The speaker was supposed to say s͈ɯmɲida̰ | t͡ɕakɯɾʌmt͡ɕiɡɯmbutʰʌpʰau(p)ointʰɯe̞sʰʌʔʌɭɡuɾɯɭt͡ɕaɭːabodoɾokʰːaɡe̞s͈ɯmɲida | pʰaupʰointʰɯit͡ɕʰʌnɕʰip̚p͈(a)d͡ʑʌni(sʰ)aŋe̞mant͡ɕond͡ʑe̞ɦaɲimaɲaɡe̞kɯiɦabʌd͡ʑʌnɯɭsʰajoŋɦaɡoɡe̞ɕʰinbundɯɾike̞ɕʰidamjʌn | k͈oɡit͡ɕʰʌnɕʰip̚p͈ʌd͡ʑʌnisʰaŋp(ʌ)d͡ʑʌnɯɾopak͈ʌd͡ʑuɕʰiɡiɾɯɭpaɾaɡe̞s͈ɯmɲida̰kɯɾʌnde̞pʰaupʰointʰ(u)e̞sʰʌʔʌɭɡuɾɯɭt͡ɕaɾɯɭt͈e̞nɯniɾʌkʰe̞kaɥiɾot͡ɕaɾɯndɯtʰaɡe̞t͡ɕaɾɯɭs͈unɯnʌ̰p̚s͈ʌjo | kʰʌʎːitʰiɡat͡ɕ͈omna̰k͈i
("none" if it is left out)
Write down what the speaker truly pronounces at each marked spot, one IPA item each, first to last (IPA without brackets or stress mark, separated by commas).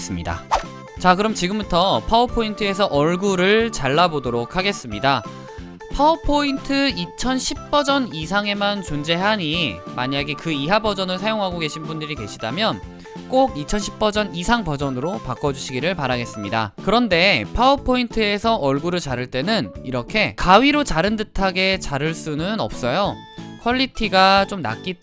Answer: pʰ, ʌ, sʰ, ʌ, ɯ